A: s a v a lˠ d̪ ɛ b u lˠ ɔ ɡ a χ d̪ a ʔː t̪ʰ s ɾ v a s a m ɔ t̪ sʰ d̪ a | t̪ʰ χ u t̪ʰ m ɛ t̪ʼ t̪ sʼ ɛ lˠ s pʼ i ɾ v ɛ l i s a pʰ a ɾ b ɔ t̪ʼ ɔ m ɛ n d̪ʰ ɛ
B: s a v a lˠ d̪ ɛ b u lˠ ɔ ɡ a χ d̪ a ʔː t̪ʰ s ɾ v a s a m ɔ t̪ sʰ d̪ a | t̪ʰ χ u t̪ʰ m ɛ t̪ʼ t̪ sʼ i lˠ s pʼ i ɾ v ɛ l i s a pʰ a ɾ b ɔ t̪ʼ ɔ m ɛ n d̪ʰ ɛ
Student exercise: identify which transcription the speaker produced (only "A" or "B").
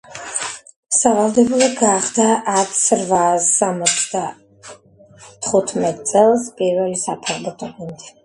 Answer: A